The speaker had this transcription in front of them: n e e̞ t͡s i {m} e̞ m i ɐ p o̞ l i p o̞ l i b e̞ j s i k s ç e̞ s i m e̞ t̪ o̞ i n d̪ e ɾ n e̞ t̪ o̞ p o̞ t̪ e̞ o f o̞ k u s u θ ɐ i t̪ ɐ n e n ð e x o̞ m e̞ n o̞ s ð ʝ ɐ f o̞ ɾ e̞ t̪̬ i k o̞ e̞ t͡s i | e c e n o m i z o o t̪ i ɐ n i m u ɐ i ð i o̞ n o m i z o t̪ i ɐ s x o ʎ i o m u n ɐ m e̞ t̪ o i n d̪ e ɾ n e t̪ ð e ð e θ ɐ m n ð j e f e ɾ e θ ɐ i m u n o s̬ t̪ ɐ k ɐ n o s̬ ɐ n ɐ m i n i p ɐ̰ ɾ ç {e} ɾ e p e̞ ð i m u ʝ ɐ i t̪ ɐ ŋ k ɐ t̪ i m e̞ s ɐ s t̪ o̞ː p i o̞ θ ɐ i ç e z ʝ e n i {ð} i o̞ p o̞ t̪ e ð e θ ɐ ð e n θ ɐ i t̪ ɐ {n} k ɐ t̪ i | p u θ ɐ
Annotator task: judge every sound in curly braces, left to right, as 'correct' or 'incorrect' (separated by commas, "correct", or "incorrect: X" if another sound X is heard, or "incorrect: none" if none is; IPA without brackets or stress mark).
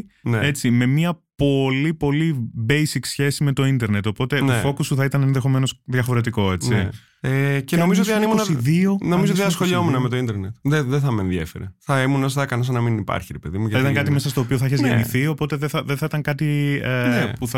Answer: correct, incorrect: i, incorrect: θ, incorrect: ŋ